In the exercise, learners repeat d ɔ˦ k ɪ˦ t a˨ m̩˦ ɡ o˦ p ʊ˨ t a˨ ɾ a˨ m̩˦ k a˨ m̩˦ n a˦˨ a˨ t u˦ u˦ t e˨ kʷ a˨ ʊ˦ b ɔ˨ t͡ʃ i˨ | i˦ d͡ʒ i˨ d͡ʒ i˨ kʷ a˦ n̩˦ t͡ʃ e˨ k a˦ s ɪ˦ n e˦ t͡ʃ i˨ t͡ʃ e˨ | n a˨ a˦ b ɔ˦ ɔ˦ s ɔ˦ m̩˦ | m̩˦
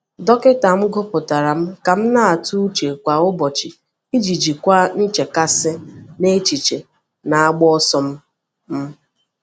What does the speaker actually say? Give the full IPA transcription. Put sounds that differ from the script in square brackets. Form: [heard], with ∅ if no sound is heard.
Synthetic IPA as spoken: d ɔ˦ k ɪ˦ t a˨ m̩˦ ɡ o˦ p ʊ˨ t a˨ ɾ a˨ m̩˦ k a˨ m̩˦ n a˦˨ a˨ t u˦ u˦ [t͡ʃ] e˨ kʷ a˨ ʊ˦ b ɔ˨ t͡ʃ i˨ | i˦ d͡ʒ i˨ d͡ʒ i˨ kʷ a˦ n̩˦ t͡ʃ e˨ k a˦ s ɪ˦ n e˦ t͡ʃ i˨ t͡ʃ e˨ | n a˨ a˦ [ɡ͡b] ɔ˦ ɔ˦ s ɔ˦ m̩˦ | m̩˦